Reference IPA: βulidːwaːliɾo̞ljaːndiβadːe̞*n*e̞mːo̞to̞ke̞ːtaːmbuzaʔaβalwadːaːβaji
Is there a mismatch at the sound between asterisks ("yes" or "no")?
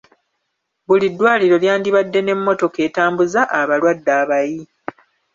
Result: no